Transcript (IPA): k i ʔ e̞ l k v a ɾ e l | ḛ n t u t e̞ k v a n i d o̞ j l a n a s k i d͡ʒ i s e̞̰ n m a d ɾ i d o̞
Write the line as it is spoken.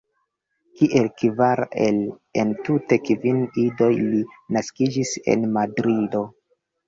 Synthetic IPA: k i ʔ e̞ l k v a ɾ e l | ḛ n t u t e̞ k v i n i d o̞ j l i n a s k i d͡ʒ i s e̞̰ n m a d ɾ i d o̞